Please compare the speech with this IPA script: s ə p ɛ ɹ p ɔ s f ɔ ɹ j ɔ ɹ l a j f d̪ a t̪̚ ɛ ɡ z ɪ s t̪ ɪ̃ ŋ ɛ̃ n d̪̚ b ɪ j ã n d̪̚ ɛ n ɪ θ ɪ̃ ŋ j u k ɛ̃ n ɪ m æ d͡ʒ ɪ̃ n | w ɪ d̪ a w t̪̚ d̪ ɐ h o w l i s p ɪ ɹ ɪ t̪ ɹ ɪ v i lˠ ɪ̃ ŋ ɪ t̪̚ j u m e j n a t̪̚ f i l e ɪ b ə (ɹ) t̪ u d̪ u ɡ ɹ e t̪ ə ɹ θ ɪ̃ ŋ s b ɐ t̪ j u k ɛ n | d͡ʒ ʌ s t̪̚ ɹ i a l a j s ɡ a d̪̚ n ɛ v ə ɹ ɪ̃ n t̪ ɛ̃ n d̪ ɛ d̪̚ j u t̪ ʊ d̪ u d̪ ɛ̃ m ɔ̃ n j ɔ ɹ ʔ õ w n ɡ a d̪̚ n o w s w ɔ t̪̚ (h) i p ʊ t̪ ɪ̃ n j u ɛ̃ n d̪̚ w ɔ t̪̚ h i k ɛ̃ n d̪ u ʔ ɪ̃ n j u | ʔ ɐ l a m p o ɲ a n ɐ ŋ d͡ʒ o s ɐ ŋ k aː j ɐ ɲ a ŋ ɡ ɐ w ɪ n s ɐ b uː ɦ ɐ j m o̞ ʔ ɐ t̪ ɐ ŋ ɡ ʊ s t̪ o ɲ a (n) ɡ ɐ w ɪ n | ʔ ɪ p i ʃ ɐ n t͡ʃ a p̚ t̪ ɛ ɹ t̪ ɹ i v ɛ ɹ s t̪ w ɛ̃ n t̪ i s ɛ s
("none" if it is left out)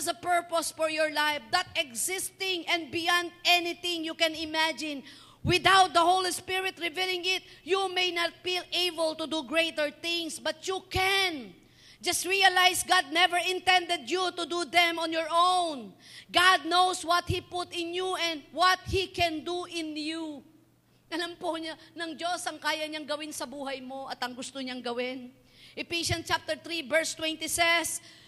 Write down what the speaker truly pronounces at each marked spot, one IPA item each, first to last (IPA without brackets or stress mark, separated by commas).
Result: l, h, ŋ